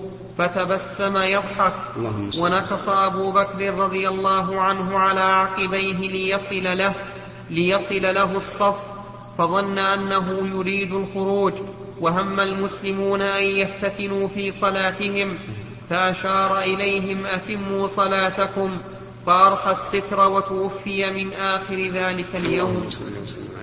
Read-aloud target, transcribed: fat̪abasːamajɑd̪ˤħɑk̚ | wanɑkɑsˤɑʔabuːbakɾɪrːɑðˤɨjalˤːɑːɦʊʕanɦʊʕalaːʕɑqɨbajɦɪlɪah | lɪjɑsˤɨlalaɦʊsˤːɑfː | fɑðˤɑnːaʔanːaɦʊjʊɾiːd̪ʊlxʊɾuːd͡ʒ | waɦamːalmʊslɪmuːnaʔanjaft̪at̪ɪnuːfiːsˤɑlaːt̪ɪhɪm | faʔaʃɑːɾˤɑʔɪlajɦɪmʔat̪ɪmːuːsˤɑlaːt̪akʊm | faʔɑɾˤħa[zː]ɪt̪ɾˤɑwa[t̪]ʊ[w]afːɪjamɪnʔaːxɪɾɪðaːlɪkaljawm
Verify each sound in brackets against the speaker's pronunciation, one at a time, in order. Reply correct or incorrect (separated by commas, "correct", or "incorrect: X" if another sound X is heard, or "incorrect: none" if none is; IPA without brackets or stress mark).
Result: incorrect: sː, correct, correct